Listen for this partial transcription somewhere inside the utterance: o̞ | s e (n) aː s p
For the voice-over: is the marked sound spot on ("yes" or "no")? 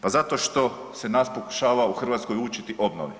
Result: yes